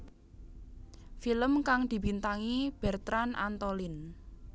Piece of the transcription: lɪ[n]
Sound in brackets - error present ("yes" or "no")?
no